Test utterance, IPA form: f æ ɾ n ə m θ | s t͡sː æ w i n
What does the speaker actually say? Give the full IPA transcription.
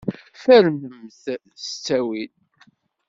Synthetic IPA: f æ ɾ m ə m θ | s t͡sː æ w i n